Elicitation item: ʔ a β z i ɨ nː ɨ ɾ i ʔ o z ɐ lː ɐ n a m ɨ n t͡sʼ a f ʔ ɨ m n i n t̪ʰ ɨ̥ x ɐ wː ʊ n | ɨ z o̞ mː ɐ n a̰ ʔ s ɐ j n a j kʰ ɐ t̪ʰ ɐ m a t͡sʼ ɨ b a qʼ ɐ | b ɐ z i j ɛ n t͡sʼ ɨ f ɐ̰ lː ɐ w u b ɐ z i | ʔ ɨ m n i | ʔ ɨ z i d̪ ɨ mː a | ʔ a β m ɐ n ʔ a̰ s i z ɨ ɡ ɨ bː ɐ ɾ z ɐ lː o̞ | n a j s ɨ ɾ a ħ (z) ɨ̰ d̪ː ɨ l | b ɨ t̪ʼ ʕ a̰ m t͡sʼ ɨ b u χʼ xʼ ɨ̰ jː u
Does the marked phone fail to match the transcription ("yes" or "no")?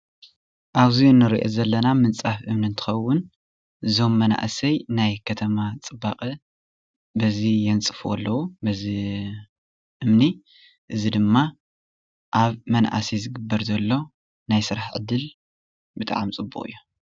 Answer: yes